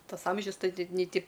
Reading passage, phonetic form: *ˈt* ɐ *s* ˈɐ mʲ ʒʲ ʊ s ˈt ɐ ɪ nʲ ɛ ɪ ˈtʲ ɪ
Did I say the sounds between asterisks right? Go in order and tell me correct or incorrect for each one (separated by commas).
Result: correct, correct